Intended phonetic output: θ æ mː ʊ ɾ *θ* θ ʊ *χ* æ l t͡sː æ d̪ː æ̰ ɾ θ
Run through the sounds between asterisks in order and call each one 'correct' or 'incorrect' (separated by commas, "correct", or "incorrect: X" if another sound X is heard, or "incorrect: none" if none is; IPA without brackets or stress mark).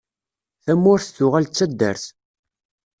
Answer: correct, incorrect: ʁ